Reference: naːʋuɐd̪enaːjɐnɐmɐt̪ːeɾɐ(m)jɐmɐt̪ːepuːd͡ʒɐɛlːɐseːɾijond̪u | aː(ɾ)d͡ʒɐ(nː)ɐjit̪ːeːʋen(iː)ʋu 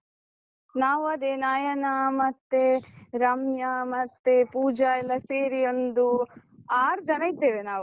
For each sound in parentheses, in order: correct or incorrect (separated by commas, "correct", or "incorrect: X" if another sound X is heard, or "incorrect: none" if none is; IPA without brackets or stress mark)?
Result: correct, correct, incorrect: n, incorrect: aː